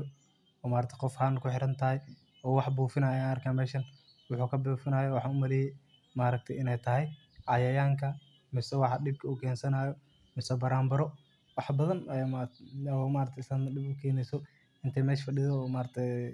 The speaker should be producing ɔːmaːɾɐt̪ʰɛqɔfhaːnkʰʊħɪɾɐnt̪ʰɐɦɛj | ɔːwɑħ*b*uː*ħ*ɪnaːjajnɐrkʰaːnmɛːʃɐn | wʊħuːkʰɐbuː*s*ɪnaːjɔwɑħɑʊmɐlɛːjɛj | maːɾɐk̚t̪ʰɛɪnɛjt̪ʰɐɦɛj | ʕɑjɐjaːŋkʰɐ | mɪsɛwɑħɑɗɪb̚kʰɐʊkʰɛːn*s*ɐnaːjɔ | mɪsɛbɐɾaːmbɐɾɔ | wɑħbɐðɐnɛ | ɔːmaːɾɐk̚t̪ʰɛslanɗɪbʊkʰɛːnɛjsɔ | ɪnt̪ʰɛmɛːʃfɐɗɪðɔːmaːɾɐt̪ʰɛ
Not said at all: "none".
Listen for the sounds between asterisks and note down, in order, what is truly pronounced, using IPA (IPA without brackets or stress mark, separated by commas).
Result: b, f, f, s